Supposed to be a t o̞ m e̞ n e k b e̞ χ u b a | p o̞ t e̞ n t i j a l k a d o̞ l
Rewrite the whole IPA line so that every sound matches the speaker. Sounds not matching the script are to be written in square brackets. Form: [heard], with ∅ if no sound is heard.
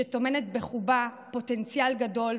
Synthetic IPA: [e] t o̞ m e̞ n e [t] b e̞ χ u b a | p o̞ t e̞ n [t͡s] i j a l [ɡ] a d o̞ l